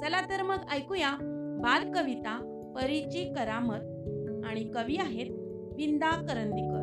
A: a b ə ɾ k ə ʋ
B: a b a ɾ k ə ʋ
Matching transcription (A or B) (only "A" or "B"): B